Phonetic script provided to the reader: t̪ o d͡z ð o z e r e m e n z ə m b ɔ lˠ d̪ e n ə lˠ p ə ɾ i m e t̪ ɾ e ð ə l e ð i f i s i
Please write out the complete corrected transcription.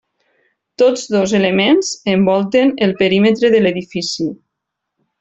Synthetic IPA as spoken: t̪ o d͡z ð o z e l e m e n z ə m b ɔ lˠ t̪ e n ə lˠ p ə ɾ i m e t̪ ɾ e ð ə l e ð i f i s i